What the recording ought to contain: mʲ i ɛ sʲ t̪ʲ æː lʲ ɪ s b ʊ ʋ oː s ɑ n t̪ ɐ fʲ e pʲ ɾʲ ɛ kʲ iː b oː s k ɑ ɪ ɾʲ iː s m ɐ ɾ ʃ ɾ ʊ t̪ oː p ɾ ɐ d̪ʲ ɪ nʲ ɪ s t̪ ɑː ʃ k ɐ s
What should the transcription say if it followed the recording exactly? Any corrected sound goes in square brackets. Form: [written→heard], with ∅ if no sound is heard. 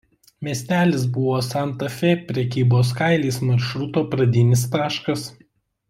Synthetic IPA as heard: mʲ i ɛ sʲ t̪ʲ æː lʲ ɪ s b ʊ ʋ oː s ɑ n t̪ ɐ fʲ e pʲ ɾʲ ɛ kʲ iː b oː s k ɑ ɪ [ɾʲ→lʲ] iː s m ɐ ɾ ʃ ɾ ʊ t̪ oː p ɾ ɐ d̪ʲ ɪ nʲ ɪ s t̪ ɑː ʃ k ɐ s